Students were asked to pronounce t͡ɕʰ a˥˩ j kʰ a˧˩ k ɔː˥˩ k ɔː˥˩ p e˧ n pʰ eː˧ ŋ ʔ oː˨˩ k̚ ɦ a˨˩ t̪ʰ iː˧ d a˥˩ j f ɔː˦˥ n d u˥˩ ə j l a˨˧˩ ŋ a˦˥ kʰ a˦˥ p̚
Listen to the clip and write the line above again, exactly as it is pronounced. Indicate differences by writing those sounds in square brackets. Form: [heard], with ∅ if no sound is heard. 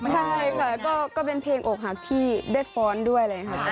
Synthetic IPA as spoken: t͡ɕʰ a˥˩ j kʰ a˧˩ k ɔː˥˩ k ɔː˥˩ p e˧ n pʰ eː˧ ŋ ʔ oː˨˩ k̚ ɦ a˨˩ t̪ʰ [iː˥˩] d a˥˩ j f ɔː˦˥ n d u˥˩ ə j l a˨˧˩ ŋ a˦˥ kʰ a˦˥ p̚